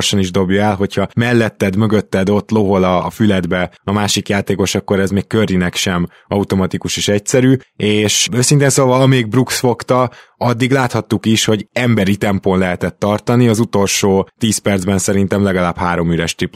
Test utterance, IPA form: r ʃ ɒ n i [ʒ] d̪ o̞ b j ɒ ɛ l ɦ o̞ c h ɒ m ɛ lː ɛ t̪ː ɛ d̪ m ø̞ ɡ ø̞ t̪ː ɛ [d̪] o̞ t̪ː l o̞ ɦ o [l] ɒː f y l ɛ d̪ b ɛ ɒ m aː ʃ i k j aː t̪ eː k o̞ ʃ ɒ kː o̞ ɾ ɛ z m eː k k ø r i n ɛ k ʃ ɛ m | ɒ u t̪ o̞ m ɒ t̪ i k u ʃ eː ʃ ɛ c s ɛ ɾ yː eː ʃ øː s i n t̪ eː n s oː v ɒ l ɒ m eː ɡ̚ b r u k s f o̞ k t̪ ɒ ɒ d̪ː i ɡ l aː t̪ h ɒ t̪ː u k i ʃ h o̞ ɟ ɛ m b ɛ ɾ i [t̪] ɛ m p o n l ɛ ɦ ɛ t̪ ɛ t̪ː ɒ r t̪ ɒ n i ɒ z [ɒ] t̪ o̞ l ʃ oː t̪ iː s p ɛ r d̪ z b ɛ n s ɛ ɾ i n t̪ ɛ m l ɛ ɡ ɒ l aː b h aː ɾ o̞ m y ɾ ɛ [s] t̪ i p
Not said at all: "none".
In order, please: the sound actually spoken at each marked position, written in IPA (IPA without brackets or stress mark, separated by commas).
ʒ, d̪, l, t̪, u, ʃ